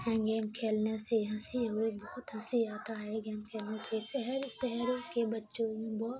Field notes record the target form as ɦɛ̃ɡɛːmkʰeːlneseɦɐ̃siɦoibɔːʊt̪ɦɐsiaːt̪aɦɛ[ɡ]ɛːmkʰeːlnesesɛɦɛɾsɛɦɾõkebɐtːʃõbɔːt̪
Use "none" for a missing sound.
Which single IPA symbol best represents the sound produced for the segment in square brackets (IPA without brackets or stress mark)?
ɡ